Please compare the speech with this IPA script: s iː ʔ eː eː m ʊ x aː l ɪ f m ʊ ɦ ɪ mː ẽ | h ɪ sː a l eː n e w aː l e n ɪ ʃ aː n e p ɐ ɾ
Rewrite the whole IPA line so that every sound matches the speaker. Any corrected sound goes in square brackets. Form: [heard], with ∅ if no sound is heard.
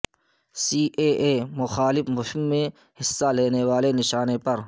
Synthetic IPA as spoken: s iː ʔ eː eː m ʊ x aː l ɪ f m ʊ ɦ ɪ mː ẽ | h ɪ sː a l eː n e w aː l e n ɪ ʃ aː n e p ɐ ɾ